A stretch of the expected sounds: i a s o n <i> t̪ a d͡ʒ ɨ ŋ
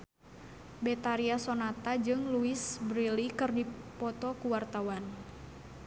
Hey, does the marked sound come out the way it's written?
no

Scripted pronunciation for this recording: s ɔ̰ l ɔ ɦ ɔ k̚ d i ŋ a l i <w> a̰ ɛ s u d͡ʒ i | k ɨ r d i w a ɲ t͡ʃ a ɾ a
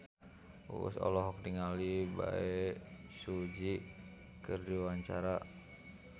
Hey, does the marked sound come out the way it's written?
no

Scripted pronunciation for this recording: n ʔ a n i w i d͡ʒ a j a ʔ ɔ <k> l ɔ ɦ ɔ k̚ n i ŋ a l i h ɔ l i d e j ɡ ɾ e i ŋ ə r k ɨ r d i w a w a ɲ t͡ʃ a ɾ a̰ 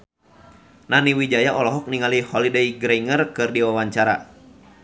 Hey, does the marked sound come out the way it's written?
no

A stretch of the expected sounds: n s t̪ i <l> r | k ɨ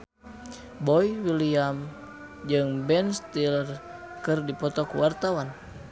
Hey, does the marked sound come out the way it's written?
yes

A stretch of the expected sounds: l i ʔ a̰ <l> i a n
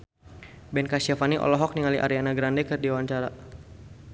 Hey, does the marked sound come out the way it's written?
no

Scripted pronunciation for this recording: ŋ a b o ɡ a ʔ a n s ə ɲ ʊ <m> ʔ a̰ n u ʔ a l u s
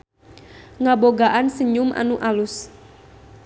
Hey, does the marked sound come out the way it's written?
yes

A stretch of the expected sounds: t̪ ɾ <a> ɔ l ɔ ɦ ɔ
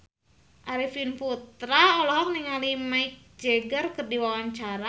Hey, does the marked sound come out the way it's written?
yes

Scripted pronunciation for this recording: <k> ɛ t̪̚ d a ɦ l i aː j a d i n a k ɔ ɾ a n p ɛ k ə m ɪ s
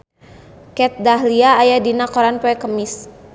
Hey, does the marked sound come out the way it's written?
yes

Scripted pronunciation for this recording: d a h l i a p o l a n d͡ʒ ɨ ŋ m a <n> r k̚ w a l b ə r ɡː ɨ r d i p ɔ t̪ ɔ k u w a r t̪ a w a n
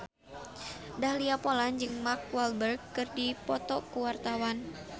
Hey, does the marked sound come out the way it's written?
no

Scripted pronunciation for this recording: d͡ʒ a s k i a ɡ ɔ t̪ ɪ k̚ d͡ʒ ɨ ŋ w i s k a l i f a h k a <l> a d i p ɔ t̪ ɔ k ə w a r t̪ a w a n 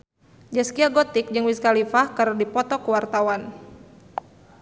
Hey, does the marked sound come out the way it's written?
no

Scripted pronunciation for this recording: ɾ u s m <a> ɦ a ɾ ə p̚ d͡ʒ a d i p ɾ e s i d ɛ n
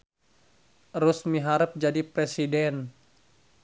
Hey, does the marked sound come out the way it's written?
no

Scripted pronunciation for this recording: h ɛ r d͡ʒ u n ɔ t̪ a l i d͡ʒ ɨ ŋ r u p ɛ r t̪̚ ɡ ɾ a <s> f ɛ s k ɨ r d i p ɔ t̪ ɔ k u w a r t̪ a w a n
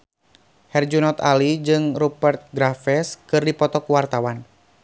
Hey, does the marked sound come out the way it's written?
no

